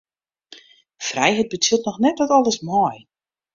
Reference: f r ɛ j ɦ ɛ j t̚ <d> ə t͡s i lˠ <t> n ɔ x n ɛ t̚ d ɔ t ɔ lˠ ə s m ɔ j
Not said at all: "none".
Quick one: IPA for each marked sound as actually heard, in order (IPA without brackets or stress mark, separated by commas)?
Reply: b, t